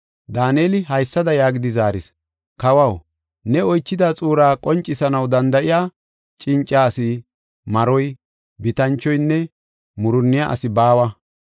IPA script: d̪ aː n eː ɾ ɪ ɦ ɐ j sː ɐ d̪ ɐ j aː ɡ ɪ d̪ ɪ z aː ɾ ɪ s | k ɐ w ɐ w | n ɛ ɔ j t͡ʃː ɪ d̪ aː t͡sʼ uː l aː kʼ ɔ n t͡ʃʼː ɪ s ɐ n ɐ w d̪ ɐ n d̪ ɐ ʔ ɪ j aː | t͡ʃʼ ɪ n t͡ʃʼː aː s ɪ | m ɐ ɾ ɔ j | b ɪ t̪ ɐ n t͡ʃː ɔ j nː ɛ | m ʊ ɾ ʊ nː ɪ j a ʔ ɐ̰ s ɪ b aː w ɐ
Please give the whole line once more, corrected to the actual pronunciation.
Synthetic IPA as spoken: d̪ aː n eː l ɪ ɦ ɐ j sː ɐ d̪ ɐ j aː ɡ ɪ d̪ ɪ z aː ɾ ɪ s | k ɐ w ɐ w | n ɛ ɔ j t͡ʃː ɪ d̪ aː t͡sʼ uː ɾ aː kʼ ɔ n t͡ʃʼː ɪ s ɐ n ɐ w d̪ ɐ n d̪ ɐ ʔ ɪ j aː | t͡ʃʼ ɪ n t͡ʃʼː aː s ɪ | m ɐ ɾ ɔ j | b ɪ t̪ ɐ n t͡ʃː ɔ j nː ɛ | m ʊ ɾ ʊ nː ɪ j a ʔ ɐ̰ s ɪ b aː w ɐ